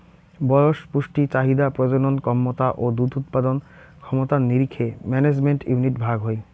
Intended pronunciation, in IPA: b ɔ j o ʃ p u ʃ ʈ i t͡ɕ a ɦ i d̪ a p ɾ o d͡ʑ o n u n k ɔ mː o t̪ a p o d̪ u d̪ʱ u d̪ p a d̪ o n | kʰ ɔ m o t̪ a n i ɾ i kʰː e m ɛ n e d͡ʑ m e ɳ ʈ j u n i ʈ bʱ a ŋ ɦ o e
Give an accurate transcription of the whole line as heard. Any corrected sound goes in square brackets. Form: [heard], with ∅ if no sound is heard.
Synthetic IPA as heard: b ɔ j o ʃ p u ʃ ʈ i t͡ɕ a ɦ i d̪ a p ɾ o d͡ʑ o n [o] n k ɔ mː o t̪ a [ʔ] o d̪ u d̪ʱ u [t̪] p a d̪ o n | kʰ ɔ m o t̪ a n i ɾ i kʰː e m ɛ n e d͡ʑ m e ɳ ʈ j u n i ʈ bʱ a [ɡ] ɦ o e